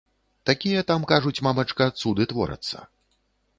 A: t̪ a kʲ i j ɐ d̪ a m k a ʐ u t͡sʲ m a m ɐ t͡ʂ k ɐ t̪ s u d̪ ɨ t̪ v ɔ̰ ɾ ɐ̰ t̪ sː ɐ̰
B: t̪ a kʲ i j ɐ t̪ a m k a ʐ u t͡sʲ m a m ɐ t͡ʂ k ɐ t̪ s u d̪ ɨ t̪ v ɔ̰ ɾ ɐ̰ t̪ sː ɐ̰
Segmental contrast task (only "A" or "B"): B